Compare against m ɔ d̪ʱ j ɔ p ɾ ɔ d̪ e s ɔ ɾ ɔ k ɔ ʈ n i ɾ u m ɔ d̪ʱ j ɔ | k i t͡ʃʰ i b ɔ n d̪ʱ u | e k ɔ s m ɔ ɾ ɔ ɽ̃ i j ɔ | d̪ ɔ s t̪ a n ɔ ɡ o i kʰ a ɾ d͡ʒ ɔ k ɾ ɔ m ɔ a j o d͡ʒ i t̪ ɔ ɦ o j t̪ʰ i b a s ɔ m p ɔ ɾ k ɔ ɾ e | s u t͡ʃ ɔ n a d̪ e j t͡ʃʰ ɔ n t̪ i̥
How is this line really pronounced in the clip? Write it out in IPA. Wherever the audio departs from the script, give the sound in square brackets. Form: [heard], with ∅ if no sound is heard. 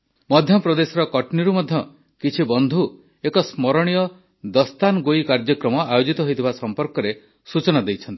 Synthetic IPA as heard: m ɔ d̪ʱ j ɔ p ɾ ɔ d̪ e s ɔ ɾ ɔ k ɔ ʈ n i ɾ u m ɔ d̪ʱ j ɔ | k i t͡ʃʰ i b ɔ n d̪ʱ u | e k ɔ s m ɔ ɾ ɔ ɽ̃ i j ɔ | d̪ ɔ s t̪ a n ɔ ɡ o i [k] a ɾ d͡ʒ ɔ k ɾ ɔ m ɔ a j o d͡ʒ i t̪ ɔ ɦ o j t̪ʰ i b a s ɔ m p ɔ ɾ k ɔ ɾ e | s u t͡ʃ ɔ n a d̪ e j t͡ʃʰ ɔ n t̪ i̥